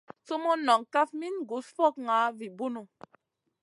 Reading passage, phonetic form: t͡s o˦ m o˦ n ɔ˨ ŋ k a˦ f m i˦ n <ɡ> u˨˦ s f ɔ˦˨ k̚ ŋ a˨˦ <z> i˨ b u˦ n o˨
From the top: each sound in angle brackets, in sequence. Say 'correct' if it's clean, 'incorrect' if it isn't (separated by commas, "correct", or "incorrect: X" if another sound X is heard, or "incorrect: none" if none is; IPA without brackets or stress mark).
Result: correct, incorrect: v